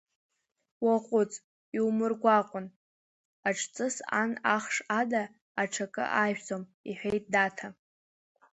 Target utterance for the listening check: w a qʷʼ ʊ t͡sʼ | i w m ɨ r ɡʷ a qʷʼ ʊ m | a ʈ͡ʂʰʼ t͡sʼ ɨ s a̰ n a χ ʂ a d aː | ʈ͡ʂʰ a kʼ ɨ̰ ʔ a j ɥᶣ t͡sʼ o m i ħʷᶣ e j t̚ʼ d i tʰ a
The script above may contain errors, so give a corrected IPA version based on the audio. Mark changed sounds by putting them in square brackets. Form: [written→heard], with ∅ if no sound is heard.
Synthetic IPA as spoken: w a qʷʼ ʊ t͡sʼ | i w m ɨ r ɡʷ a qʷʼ ʊ [m→n] | a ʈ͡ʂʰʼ t͡sʼ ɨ s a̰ n a χ ʂ a d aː | ʈ͡ʂʰ a kʼ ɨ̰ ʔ a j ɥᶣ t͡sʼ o m i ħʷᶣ e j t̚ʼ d [i→a] tʰ a